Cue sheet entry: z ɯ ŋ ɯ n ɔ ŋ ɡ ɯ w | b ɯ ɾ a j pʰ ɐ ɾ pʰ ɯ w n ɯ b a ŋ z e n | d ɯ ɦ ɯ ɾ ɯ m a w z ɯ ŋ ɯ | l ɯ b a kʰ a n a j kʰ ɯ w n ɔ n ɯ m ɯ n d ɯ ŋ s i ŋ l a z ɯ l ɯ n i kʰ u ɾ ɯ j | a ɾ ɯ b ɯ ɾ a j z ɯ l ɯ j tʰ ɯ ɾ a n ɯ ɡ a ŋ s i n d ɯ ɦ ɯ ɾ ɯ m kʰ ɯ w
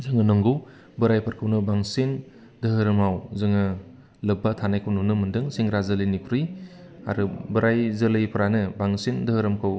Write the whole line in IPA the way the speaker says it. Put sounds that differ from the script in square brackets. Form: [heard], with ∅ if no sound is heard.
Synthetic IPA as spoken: z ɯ ŋ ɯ n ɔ ŋ ɡ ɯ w | b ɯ ɾ a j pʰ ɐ ɾ [kʰ] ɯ w n ɯ b a ŋ [s] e n | d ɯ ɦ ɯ ɾ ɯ m a w z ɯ ŋ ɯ | l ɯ b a [tʰ] a n a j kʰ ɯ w n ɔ n ɯ m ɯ n d ɯ ŋ s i ŋ [ɾ] a z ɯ l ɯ n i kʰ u ɾ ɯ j | a ɾ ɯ b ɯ ɾ a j z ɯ l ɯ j [pʰ] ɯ ɾ a n ɯ [b] a ŋ s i n d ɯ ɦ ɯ ɾ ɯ m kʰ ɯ w